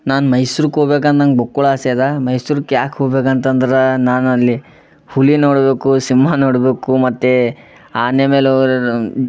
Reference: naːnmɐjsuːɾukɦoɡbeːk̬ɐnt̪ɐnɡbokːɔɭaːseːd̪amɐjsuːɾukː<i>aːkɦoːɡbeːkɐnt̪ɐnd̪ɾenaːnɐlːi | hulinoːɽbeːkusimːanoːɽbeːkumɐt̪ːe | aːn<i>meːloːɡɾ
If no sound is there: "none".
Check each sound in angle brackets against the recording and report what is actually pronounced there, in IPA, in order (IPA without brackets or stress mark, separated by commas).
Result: j, e